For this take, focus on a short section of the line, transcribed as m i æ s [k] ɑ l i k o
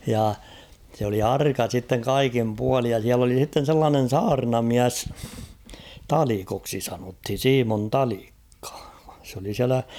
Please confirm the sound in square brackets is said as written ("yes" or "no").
no